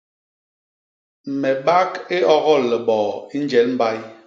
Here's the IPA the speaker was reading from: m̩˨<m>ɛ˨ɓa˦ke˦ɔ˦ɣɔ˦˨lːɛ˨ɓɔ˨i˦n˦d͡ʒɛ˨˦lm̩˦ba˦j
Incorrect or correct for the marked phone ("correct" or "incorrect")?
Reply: correct